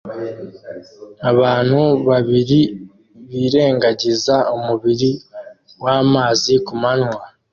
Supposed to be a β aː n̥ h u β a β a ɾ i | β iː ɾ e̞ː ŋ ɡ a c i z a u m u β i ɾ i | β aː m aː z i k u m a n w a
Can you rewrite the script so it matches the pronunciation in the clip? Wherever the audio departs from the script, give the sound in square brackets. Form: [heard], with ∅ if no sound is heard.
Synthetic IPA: a β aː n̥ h u β a β [i] ɾ i | β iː ɾ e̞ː ŋ ɡ a [ɟ] i z a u m u β i ɾ i | [w] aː m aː z i k u m a n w a